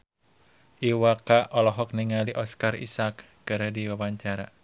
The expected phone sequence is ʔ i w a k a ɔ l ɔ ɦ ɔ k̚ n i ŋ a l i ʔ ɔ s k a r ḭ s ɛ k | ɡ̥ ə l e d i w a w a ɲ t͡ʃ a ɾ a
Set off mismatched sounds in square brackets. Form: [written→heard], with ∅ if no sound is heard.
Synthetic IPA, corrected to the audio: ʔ i w a k a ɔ l ɔ ɦ ɔ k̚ n i ŋ a l i ʔ ɔ s k a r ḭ s [ɛ→a] k | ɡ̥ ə [l→ɾ] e d i w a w a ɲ t͡ʃ a ɾ a